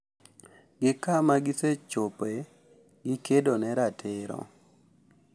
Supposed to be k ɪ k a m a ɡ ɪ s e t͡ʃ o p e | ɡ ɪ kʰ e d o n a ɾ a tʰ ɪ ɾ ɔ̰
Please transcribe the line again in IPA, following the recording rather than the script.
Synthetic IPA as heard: ɡ ɪ k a m a ɡ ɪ s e t͡ʃ o p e | ɡ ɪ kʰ e d o n ɛ ɾ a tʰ ɪ ɾ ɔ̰